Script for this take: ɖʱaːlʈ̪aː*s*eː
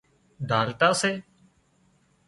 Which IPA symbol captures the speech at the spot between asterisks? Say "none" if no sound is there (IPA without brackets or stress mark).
s